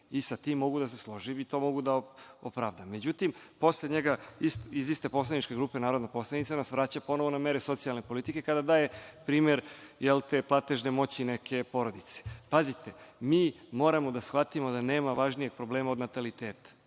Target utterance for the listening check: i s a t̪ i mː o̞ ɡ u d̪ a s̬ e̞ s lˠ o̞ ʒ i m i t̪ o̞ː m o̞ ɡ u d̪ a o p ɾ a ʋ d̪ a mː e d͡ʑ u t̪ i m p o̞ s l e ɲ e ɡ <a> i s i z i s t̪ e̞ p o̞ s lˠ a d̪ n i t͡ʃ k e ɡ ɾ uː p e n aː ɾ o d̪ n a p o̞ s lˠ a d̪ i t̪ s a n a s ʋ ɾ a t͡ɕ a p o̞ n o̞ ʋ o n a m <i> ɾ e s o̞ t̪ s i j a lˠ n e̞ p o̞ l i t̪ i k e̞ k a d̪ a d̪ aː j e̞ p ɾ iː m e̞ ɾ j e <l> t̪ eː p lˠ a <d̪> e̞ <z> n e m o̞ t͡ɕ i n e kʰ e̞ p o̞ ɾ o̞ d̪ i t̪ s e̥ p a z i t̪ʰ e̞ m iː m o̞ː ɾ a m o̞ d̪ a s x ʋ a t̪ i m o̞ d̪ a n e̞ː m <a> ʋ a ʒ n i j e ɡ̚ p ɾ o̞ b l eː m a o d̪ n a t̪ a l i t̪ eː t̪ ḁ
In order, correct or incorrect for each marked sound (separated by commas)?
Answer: correct, incorrect, correct, incorrect, incorrect, correct